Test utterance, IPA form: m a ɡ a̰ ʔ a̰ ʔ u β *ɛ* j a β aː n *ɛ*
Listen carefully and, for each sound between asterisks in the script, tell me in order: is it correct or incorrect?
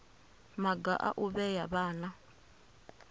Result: correct, incorrect

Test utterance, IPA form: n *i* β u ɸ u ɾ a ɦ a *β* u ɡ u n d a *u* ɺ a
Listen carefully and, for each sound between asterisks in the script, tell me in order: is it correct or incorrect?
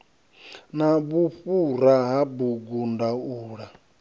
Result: incorrect, incorrect, incorrect

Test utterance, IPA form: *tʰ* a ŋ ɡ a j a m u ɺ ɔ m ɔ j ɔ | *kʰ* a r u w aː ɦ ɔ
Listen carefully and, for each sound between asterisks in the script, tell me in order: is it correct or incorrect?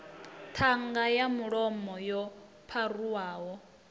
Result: correct, incorrect

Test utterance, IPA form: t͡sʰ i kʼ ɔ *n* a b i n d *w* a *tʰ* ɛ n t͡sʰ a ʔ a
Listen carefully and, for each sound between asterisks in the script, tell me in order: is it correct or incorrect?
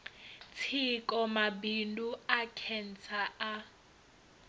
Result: incorrect, incorrect, incorrect

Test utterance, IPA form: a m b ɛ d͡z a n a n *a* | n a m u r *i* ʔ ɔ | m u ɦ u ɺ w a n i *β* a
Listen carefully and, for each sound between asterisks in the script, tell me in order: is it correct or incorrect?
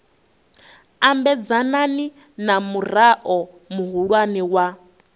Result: incorrect, incorrect, incorrect

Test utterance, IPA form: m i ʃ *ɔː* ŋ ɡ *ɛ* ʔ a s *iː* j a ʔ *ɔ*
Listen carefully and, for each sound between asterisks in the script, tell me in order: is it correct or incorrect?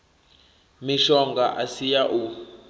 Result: incorrect, incorrect, incorrect, incorrect

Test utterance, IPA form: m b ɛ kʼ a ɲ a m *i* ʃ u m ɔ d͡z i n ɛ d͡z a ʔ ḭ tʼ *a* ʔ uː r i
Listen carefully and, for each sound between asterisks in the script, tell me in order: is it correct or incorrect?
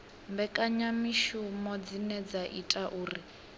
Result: correct, correct

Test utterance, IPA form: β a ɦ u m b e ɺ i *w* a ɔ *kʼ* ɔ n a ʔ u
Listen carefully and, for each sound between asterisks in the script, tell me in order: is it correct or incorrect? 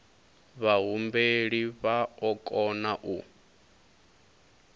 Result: incorrect, correct

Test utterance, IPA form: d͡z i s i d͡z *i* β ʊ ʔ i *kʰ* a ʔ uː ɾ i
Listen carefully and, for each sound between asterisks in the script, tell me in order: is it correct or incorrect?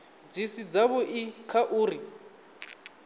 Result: incorrect, correct

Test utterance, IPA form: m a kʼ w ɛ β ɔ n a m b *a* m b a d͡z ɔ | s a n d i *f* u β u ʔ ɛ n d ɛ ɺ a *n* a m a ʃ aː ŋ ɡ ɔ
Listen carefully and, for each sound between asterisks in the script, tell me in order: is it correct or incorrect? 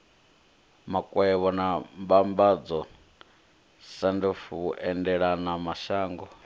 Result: correct, correct, correct

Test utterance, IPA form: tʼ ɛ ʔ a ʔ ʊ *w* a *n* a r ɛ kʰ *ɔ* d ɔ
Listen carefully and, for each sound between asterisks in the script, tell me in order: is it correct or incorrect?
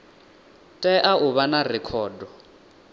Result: incorrect, correct, incorrect

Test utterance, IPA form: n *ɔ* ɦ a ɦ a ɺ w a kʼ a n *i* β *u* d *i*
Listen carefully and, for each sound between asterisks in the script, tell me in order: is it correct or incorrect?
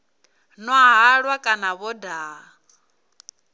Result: correct, incorrect, incorrect, incorrect

